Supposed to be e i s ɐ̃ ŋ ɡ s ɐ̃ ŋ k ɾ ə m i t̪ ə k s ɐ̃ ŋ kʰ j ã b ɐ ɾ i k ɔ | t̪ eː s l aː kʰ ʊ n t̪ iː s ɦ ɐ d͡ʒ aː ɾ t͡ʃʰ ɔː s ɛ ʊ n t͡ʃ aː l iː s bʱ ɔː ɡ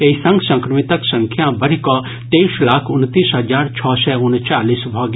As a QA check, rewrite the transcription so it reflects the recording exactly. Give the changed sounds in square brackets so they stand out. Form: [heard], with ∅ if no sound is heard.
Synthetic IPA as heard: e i s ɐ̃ ŋ ɡ s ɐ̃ ŋ k ɾ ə m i t̪ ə k s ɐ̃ ŋ kʰ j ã b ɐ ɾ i k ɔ | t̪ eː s l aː kʰ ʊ n t̪ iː s ɦ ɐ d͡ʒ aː ɾ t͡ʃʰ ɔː s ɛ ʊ n t͡ʃ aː l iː s bʱ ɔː ɡ